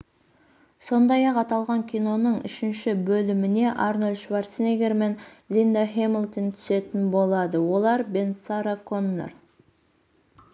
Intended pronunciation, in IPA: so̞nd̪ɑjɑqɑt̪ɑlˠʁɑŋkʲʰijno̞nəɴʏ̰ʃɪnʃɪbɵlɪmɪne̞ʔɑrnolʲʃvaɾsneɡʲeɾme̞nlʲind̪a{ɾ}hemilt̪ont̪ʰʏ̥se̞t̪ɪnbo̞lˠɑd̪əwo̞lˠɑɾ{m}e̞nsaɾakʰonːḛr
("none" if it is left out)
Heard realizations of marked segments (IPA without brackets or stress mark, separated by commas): none, b